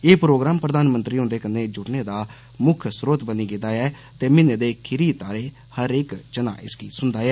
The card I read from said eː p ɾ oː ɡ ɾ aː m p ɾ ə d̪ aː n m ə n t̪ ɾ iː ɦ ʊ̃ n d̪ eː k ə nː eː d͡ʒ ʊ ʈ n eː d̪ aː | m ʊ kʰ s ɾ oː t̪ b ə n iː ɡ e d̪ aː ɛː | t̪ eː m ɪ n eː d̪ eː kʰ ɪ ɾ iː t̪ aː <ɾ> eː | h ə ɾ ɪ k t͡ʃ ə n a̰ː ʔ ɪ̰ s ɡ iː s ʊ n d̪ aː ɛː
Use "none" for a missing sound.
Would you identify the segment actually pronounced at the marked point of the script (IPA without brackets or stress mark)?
ɾ